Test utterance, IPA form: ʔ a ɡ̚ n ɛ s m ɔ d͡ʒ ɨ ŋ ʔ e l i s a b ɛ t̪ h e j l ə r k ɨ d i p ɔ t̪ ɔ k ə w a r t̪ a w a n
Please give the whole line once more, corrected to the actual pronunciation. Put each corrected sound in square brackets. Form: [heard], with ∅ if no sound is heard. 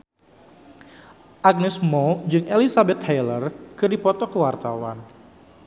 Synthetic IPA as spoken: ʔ a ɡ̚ n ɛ s m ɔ d͡ʒ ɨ ŋ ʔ e l i s a b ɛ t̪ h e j l ə r k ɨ d i p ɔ t̪ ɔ k ə w a r t̪ a w a n